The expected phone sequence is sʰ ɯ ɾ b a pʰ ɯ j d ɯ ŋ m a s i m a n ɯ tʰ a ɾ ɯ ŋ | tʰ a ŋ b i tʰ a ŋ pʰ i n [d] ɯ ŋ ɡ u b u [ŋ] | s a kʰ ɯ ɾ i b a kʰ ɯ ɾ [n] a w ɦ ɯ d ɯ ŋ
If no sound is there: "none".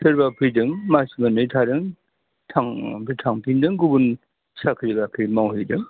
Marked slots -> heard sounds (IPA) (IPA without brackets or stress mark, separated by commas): d, n, m